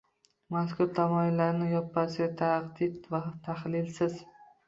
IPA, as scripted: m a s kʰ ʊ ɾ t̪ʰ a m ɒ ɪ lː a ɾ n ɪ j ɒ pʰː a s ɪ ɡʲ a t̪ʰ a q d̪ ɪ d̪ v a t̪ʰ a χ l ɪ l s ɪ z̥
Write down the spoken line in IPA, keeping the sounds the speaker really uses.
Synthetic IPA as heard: m a s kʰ ʊ ɾ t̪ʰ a m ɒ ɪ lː a ɾ n ɪ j ɒ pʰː a s ɪ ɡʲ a t̪ʰ a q d̪ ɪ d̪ v a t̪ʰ a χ l ɪ l s ɪ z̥